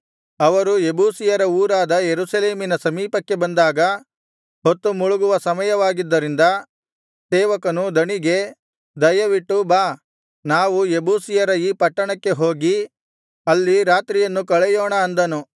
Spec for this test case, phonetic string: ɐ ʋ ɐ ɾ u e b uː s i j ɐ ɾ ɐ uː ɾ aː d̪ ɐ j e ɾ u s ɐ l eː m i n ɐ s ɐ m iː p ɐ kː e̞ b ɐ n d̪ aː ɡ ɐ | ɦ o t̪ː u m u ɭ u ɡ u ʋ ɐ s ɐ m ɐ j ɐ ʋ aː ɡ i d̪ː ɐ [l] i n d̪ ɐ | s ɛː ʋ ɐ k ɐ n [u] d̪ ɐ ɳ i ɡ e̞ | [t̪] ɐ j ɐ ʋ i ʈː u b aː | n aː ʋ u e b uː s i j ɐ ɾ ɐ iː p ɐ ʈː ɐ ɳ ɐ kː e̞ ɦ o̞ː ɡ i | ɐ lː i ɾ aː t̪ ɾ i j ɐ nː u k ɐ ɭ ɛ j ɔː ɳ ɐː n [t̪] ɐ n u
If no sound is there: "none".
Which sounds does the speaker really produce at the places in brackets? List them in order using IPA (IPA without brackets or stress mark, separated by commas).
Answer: ɾ, u, d̪, d̪